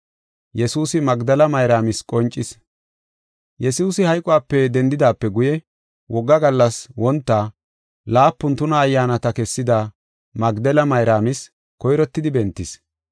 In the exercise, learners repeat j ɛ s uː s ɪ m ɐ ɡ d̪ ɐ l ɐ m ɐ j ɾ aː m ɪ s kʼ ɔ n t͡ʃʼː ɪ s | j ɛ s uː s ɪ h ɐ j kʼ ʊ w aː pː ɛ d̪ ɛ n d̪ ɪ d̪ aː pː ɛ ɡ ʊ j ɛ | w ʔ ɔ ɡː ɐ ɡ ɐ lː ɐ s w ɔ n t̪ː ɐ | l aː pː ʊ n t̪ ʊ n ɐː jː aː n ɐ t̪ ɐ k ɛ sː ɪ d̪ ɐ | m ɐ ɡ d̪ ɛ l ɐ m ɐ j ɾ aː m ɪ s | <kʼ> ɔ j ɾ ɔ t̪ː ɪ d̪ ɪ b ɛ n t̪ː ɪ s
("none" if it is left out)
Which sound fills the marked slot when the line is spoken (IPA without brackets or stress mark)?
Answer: k